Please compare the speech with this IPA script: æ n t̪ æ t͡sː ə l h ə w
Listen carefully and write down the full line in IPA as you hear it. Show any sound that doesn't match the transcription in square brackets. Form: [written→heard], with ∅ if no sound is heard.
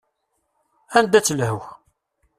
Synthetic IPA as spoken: æ n [t̪→d̪] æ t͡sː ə l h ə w